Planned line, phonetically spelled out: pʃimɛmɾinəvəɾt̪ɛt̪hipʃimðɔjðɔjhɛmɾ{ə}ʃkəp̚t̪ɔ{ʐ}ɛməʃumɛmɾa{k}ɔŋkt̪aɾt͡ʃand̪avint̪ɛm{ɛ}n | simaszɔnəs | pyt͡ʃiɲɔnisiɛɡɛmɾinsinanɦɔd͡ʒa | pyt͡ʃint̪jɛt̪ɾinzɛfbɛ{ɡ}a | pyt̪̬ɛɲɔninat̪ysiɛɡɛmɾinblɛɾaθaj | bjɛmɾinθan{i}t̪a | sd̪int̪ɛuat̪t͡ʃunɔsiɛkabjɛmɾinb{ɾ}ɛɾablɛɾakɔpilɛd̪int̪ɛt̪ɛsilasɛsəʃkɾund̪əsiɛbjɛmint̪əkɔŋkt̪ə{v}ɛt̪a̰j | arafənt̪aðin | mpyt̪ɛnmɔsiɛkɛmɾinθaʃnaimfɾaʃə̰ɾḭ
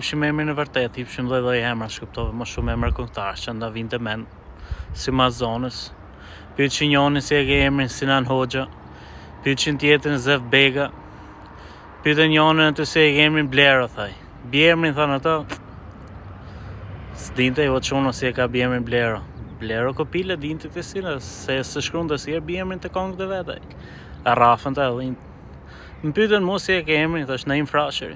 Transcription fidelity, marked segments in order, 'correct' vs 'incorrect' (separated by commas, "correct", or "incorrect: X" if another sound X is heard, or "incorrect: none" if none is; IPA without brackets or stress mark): incorrect: a, incorrect: v, correct, correct, correct, incorrect: a, incorrect: l, correct